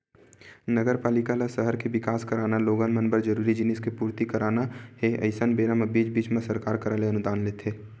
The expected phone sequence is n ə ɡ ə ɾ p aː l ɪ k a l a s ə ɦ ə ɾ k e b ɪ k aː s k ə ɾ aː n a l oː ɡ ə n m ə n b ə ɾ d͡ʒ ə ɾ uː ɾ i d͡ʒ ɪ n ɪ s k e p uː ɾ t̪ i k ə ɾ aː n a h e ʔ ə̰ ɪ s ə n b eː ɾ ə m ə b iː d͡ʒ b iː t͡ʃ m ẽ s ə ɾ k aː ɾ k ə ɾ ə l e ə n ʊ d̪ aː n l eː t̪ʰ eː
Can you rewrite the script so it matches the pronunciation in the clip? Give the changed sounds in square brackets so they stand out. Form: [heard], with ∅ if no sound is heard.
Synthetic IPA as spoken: n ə ɡ ə ɾ p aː l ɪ k a l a s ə ɦ ə ɾ k e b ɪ k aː s k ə ɾ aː n a l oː ɡ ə n m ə n b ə ɾ d͡ʒ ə ɾ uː ɾ i d͡ʒ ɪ n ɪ s k e p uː ɾ t̪ i k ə ɾ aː n a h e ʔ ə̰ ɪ s ə n b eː ɾ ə m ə b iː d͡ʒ b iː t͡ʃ m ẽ s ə ɾ k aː ɾ k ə ɾ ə l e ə n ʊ d̪ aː n l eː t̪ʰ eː